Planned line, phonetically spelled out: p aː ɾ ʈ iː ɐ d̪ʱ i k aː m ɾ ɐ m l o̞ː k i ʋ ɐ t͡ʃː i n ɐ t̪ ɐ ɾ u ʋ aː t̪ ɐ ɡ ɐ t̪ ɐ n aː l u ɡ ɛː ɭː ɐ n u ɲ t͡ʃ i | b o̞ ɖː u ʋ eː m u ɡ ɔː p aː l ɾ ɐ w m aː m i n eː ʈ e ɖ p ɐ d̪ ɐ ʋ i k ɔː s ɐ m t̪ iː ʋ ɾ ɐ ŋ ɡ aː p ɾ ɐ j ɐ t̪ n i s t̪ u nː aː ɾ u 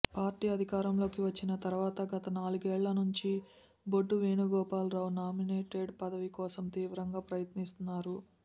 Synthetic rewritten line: p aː ɾ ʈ iː ɐ d̪ʱ i k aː ɾ ɐ m l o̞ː k i ʋ ɐ t͡ʃː i n ɐ t̪ ɐ ɾ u ʋ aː t̪ ɐ ɡ ɐ t̪ ɐ n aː l u ɡ ɛː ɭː ɐ n u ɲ t͡ʃ i | b o̞ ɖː u ʋ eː n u ɡ ɔː p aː l ɾ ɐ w n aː m i n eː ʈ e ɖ p ɐ d̪ ɐ ʋ i k ɔː s ɐ m t̪ iː ʋ ɾ ɐ ŋ ɡ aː p ɾ ɐ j ɐ t̪ n i s t̪ u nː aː ɾ u